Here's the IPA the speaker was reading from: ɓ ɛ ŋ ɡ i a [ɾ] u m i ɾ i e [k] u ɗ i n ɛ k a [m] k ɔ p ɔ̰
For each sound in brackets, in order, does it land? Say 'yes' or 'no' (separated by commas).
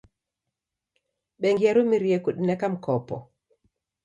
yes, yes, yes